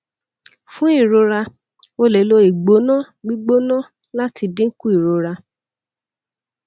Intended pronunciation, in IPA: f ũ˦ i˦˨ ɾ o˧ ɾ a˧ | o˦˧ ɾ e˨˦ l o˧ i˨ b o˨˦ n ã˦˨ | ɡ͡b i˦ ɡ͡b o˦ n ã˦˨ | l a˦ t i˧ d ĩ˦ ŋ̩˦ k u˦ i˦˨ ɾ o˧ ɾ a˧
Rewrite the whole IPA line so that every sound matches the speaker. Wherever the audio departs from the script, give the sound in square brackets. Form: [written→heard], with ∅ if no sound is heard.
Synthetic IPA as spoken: f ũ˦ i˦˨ ɾ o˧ ɾ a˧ | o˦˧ [ɾ→l] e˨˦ l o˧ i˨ [b→ɡ͡b] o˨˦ n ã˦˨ | ɡ͡b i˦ ɡ͡b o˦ n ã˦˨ | l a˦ t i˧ d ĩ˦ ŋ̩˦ k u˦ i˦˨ ɾ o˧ ɾ a˧